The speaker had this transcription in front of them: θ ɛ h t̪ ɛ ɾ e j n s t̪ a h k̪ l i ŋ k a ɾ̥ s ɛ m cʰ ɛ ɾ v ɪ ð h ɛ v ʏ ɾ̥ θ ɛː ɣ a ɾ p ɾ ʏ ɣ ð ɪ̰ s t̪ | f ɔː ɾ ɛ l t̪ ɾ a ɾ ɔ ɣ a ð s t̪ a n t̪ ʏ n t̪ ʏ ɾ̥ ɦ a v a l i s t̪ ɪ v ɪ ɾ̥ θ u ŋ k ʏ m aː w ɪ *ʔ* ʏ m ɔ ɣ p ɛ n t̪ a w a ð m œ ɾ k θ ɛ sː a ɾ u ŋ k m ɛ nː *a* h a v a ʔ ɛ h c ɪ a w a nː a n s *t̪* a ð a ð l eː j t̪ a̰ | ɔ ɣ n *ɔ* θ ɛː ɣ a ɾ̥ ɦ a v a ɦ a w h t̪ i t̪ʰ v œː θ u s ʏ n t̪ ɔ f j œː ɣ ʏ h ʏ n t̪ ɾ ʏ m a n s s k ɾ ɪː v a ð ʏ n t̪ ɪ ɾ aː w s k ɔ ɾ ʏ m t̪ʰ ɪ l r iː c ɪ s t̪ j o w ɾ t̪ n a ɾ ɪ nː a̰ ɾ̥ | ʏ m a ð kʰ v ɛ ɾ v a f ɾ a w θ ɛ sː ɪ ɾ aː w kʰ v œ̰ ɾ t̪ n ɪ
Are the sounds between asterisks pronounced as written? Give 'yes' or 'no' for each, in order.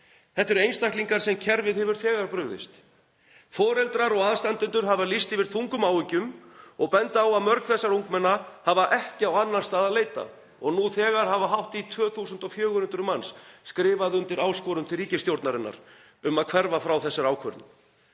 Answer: no, yes, yes, no

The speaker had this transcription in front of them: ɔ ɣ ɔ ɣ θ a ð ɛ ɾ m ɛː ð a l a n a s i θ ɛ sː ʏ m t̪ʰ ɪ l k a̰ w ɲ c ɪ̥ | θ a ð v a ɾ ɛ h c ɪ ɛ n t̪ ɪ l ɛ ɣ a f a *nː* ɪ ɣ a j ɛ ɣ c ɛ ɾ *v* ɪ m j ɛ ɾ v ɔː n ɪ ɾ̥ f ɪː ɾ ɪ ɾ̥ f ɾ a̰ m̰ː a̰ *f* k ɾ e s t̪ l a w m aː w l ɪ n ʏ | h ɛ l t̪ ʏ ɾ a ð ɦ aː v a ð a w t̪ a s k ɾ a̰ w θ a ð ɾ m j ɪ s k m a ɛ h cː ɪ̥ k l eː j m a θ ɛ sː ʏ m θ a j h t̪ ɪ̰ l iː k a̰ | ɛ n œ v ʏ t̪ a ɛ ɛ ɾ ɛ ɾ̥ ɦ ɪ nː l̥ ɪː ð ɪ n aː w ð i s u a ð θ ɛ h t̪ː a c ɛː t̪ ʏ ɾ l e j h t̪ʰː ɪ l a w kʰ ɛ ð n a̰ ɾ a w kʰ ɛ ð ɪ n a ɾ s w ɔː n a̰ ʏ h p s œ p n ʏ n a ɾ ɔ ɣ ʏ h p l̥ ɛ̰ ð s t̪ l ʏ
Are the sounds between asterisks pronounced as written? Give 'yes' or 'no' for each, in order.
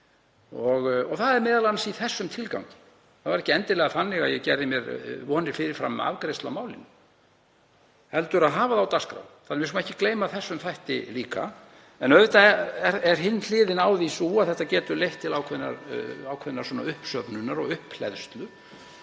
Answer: yes, no, no

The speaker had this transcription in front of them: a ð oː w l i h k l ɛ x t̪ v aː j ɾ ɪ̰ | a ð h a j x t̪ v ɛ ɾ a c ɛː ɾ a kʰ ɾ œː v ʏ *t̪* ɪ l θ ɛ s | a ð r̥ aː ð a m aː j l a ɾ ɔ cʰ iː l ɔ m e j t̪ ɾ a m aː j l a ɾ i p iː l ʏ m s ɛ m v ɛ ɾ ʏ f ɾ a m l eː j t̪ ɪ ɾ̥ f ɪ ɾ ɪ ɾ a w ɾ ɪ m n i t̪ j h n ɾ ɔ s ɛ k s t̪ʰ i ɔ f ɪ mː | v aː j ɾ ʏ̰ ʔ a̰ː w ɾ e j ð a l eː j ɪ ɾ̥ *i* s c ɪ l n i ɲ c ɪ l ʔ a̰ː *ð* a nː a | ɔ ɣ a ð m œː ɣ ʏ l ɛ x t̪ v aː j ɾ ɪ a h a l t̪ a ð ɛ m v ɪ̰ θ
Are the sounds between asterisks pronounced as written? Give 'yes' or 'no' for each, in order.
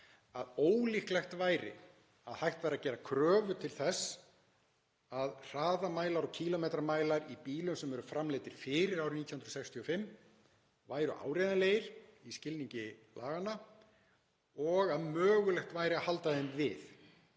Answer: no, yes, no

